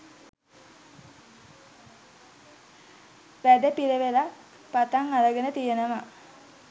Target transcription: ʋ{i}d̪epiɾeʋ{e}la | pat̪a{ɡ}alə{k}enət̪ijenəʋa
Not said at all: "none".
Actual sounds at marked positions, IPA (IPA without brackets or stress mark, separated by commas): æ, e, ŋ, ɡ